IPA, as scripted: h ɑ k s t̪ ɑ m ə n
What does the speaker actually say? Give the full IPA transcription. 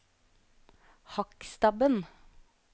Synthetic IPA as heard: h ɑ k s t̪ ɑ b ə n